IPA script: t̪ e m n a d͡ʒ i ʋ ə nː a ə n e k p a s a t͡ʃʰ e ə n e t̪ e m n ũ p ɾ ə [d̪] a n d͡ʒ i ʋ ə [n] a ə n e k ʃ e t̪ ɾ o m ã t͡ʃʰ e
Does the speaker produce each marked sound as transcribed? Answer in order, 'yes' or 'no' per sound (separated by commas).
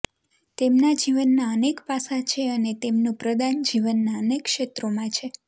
yes, no